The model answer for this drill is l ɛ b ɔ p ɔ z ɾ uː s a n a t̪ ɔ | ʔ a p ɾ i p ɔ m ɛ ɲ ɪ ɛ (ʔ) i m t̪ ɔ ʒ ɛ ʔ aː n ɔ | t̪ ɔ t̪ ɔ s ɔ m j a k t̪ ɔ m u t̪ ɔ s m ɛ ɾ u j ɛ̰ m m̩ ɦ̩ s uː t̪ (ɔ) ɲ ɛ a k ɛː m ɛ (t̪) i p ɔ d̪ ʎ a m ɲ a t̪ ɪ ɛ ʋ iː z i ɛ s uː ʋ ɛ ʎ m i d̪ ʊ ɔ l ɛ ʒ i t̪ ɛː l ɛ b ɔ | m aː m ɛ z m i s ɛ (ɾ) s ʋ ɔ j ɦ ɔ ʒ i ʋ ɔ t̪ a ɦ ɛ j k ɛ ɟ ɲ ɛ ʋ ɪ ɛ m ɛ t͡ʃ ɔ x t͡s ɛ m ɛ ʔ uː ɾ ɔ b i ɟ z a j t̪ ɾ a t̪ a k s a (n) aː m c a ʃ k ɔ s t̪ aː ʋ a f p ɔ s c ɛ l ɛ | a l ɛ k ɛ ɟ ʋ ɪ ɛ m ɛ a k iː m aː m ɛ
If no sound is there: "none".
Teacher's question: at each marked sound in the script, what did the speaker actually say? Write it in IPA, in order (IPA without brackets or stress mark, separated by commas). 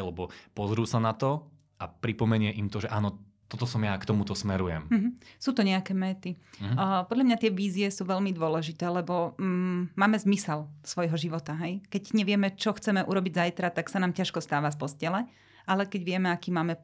ʔ, ɔ, t̪, l, n